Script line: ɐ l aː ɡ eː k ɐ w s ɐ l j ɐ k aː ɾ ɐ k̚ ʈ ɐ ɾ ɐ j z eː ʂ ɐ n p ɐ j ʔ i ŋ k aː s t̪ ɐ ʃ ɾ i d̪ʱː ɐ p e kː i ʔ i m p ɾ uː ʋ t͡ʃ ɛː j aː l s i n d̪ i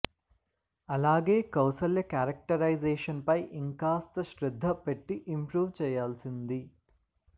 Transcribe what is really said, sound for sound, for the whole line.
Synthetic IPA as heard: ɐ l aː ɡ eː k ɐ w s ɐ l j ɐ k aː ɾ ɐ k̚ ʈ ɐ ɾ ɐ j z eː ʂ ɐ n p ɐ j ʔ i ŋ k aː s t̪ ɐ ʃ ɾ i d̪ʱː ɐ p e ʈː i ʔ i m p ɾ uː ʋ t͡ʃ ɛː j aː l s i n d̪ i